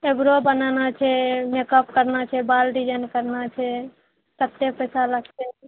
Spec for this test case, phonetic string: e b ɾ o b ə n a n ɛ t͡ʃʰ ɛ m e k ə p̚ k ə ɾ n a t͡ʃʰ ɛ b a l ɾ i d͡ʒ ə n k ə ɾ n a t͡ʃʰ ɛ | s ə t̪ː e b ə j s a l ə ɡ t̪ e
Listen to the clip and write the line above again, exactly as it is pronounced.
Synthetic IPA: e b ɾ o b ə n a n a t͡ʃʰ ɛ m e k ə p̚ k ə ɾ n a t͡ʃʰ ɛ b a l ɾ i d͡ʒ ə n k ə ɾ n a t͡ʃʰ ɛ | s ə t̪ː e p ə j s a l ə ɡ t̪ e

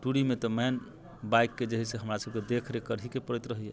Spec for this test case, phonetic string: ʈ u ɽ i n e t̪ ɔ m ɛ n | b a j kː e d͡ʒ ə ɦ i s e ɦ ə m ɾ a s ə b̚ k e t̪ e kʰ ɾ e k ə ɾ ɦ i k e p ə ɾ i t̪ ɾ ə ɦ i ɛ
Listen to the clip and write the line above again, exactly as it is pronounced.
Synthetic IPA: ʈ u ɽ i m e t̪ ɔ m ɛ n | b a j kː e d͡ʒ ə ɦ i s e ɦ ə m ɾ a s ə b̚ k e d̪ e kʰ ɾ e k ə ɾ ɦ i k e p ə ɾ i t̪ ɾ ə ɦ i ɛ

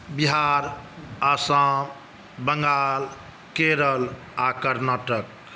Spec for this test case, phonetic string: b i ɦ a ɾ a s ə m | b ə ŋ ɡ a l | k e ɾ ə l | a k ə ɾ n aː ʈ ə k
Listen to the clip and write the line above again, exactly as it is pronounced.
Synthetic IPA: b i ɦ a ɾ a s a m | b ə ŋ ɡ a l | k e ɾ ə l | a k ə ɾ n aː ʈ ə k

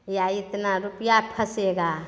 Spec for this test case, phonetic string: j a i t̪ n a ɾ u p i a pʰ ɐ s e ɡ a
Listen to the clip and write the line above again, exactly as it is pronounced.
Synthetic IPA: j a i t̪ n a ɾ u p j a pʰ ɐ s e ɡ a

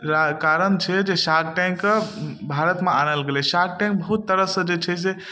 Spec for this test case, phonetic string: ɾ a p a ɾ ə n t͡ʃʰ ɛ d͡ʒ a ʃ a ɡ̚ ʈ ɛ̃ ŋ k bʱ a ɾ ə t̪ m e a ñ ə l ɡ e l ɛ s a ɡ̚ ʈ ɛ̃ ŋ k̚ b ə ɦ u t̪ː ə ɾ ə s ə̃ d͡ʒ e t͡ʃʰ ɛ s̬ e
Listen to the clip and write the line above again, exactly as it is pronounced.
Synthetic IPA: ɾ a k a ɾ ə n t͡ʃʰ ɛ d͡ʒ e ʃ a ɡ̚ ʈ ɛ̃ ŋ k bʱ a ɾ ə t̪ m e a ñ ə l ɡ e l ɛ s a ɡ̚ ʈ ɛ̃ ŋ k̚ b ə ɦ u t̪ː ə ɾ ə s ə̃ d͡ʒ e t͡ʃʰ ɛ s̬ e

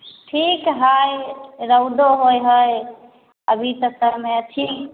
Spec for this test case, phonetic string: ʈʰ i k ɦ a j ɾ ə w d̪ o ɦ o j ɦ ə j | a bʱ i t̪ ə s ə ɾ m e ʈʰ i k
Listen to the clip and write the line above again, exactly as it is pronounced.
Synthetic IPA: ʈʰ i k ɦ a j ɾ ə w d̪ o ɦ o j ɦ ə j | ə bʱ i t̪ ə s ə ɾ m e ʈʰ i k

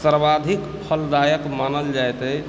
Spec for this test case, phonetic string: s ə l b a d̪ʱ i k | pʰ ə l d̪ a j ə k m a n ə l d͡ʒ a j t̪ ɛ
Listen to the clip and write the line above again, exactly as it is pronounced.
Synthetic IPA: s ə ɾ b a d̪ʱ i k | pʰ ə l d̪ a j ə k m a n ə l d͡ʒ a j t̪ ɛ

